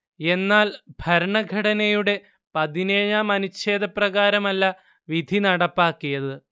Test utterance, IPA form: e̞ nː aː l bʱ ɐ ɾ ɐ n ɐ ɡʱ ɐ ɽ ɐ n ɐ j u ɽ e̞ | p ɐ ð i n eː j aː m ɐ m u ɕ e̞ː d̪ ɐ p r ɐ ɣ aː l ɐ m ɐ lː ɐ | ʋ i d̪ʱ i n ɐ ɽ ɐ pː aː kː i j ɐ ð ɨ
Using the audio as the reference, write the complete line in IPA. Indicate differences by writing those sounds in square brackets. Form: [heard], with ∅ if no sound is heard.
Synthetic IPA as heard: e̞ nː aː l bʱ ɐ ɾ ɐ [ɳ] ɐ ɡʱ ɐ ɽ ɐ n ɐ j u ɽ e̞ | p ɐ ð i n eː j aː m ɐ [n] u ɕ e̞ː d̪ ɐ p r ɐ ɣ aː [ɾ] ɐ m ɐ lː ɐ | ʋ i d̪ʱ i n ɐ ɽ ɐ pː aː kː i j ɐ ð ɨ